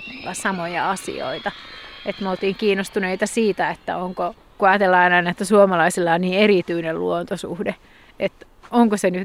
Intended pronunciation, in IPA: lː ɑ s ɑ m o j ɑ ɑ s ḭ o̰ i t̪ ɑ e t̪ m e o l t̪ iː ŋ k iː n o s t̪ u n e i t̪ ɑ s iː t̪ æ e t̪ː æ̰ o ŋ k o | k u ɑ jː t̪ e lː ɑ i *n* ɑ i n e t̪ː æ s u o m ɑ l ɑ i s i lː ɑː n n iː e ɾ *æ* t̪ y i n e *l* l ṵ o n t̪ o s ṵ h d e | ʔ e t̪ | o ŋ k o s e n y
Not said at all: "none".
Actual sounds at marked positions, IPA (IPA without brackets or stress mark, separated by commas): n, i, l